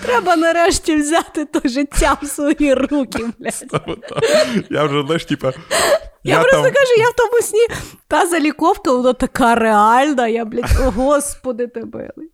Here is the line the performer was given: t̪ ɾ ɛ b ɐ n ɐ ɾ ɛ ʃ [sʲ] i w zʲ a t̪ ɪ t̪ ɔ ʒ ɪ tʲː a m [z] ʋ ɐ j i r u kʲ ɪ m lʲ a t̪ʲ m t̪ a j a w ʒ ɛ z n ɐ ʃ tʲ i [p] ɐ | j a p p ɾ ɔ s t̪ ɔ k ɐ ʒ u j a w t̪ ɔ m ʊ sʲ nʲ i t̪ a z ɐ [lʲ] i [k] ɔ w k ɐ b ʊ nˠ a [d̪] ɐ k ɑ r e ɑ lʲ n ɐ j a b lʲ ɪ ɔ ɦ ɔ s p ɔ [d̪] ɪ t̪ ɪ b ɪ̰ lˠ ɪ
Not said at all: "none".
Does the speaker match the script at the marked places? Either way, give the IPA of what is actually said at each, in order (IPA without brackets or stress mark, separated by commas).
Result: tʲ, s, p, lʲ, k, t̪, d̪